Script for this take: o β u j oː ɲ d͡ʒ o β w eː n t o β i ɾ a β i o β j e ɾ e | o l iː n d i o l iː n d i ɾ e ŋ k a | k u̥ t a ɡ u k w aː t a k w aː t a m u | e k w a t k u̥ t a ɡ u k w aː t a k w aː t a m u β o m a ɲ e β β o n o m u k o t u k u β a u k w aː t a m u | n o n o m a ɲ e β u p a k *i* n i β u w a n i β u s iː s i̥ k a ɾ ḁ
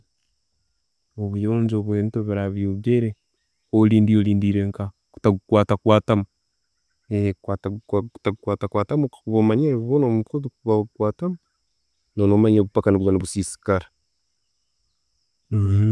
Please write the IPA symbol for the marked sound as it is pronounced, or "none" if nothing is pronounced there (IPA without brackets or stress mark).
a